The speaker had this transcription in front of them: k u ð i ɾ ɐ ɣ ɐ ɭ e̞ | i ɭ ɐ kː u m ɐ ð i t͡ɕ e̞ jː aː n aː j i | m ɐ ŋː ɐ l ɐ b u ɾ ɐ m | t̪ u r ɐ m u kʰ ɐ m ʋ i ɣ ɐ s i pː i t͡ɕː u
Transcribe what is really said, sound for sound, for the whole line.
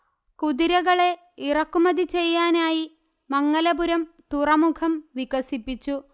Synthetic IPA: k u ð i ɾ ɐ ɣ ɐ ɭ e̞ | i r ɐ kː u m ɐ ð i t͡ɕ e̞ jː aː n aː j i | m ɐ ŋː ɐ l ɐ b u ɾ ɐ m | t̪ u r ɐ m u kʰ ɐ m ʋ i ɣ ɐ s i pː i t͡ɕː u